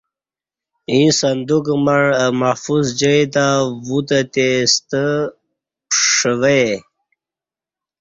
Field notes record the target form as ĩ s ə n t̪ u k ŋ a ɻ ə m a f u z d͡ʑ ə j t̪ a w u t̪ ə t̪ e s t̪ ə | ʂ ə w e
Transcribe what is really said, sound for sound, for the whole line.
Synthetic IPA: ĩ s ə n d̪ u k m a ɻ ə m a f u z d͡ʑ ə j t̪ a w u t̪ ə t̪ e s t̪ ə | ʂ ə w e